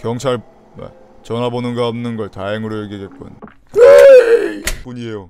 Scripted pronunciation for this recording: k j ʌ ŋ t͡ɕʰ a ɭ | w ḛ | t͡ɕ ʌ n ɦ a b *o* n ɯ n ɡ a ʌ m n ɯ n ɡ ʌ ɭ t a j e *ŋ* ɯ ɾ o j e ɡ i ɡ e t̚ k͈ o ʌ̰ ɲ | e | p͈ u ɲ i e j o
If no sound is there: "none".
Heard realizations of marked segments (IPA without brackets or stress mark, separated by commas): o, ŋ